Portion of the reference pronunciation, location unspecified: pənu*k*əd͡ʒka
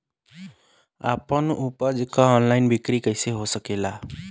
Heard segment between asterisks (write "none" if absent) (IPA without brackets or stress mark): p